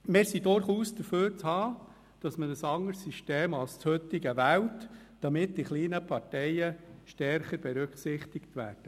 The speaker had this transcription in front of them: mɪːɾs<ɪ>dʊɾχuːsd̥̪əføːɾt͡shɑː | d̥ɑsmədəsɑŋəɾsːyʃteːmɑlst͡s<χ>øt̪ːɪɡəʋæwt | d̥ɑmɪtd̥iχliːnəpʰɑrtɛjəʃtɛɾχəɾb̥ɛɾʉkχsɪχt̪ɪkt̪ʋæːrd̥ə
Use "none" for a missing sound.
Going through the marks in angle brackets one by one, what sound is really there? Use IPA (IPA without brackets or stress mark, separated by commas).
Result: i, h